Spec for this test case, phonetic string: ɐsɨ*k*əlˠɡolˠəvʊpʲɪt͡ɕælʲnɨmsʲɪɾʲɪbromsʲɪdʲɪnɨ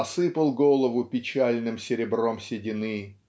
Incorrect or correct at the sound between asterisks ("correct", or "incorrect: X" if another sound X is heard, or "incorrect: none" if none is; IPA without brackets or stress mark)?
incorrect: p